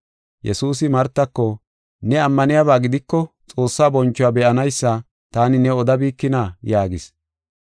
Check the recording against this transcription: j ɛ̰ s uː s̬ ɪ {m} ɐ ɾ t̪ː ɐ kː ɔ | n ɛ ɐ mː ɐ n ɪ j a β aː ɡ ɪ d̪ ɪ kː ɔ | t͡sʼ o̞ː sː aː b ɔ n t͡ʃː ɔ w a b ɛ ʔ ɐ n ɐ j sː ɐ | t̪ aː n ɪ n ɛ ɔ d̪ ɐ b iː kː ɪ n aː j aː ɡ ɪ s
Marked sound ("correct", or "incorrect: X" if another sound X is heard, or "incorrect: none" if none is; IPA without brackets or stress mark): correct